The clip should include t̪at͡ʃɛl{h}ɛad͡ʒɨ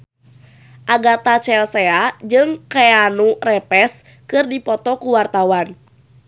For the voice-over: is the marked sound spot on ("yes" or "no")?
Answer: no